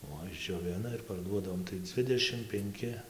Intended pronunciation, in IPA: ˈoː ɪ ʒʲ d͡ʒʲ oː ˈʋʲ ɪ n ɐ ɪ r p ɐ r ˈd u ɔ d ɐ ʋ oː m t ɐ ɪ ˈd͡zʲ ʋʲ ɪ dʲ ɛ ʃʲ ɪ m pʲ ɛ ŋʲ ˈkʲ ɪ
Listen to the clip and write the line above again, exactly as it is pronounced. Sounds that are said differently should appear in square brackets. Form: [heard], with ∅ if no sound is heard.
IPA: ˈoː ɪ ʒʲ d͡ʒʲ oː ˈʋʲ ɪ n ɐ ɪ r p ɐ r ˈd u ɔ d ɐ ʋ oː m t ɐ ɪ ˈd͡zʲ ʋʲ ɪ dʲ ɛ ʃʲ ɪ m pʲ ɛ ŋʲ ˈkʲ ɪ